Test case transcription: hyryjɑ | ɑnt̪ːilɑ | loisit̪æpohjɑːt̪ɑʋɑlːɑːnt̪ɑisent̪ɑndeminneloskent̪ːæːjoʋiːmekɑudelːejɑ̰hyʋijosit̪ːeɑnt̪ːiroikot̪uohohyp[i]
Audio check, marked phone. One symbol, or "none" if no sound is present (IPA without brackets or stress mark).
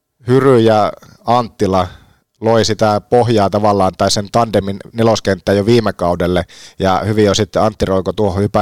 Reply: æ